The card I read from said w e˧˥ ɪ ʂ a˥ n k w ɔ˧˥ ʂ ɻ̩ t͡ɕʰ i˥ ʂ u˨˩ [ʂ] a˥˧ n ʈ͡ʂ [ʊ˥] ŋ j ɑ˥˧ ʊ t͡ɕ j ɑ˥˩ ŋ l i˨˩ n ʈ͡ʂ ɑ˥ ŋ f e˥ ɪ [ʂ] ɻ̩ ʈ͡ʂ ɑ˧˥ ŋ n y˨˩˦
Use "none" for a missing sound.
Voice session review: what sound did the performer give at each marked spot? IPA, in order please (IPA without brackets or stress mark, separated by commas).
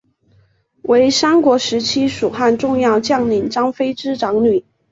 x, ʊ˥˧, ʈ͡ʂ